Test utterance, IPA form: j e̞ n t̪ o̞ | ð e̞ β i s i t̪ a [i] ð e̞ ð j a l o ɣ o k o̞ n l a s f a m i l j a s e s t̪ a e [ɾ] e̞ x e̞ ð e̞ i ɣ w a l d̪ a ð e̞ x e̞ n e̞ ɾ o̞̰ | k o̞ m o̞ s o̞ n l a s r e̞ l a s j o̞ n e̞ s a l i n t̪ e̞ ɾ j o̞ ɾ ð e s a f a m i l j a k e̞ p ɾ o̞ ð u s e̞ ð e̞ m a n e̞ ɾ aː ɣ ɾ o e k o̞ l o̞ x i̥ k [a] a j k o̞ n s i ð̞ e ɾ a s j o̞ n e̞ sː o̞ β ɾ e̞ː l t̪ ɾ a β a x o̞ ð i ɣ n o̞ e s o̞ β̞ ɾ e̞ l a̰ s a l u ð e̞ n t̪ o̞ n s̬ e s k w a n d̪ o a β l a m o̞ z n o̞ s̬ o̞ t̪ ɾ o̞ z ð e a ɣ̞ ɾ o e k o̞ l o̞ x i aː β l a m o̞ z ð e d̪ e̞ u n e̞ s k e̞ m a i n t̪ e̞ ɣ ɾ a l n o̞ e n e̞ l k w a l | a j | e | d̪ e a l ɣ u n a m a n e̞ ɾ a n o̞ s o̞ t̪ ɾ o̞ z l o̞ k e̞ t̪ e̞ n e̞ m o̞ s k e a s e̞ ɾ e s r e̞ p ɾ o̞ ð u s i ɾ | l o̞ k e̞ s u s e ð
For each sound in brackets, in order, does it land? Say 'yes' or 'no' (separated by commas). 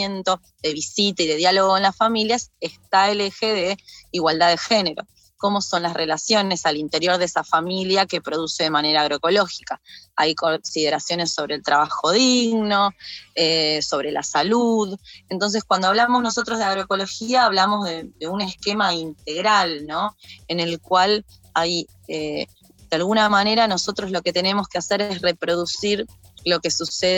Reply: yes, no, yes